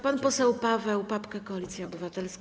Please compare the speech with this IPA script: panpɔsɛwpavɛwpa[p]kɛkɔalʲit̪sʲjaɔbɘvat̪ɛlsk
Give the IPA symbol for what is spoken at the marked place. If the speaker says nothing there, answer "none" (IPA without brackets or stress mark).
p